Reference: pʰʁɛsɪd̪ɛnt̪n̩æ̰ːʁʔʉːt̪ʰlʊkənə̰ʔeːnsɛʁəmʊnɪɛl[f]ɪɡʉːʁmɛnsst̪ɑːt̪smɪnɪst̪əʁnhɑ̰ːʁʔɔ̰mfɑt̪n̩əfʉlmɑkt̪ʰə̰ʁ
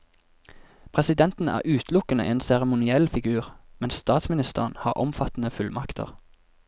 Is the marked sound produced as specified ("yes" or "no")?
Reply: yes